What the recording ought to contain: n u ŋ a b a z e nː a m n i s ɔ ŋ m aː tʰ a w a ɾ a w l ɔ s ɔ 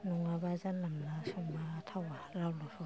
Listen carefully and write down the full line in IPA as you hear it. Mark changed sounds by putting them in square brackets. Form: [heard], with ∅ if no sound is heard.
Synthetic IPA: n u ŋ a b a z [a] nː a m n [a] s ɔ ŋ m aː tʰ a w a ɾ a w l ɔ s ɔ